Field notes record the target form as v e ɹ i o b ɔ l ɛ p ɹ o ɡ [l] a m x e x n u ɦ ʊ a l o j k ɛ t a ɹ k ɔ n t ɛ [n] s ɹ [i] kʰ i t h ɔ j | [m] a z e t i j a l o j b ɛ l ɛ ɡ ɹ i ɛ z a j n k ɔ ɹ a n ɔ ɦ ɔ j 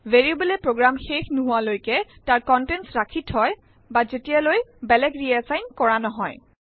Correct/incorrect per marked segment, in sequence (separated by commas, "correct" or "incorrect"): incorrect, correct, incorrect, incorrect